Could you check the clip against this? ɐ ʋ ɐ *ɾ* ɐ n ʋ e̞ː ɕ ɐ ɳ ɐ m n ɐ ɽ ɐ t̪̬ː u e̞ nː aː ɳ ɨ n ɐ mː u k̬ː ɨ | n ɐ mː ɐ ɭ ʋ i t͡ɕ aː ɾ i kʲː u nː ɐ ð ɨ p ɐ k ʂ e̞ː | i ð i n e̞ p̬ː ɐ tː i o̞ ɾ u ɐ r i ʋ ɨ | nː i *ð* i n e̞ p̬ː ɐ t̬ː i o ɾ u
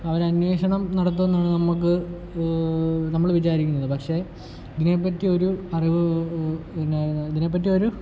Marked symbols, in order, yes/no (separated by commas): yes, yes